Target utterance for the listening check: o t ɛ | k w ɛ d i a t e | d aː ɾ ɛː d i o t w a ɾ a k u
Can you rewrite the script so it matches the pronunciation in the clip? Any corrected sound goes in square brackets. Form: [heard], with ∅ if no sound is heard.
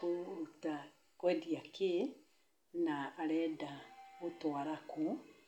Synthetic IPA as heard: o t [a] | k w ɛ d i a [k] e | [n] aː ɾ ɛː d [a] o t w a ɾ a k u

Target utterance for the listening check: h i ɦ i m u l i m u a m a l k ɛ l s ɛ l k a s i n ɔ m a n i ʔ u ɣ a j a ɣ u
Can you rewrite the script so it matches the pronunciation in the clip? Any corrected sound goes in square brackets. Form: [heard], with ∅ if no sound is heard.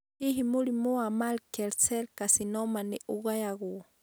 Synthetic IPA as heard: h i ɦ i m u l i m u a m a l k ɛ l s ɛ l k a s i n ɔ m a n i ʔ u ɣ a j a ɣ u

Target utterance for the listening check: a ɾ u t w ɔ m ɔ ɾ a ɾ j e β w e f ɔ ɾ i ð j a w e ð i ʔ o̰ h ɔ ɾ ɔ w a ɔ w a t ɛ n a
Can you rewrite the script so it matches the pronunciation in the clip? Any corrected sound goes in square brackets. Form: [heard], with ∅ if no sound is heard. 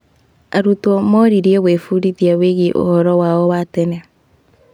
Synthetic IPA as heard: a ɾ u t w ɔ m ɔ ɾ [i] ɾ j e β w e f [u] ɾ i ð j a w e [ɣ] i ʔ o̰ h ɔ ɾ ɔ w a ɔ w a t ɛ n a

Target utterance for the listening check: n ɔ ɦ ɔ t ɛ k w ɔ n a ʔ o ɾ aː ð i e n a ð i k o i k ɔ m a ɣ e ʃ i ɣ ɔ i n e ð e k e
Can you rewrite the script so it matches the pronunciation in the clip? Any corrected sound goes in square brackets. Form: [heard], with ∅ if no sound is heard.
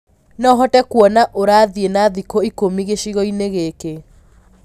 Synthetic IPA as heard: n ɔ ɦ ɔ t ɛ k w ɔ n a ʔ o ɾ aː ð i e n a ð i k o i k [o] m [i] ɣ e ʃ i ɣ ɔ i n e [ɣ] e k e

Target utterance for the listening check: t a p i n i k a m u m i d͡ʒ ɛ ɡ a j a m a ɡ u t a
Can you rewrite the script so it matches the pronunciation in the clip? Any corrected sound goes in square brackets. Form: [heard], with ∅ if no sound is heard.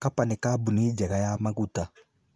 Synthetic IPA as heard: [k] a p [a] n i k a [b] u [n] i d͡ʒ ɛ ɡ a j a m a ɡ u t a

